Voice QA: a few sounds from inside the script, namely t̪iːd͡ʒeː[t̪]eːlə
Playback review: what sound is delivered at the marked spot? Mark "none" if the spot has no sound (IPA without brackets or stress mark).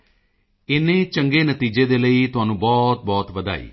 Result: d̪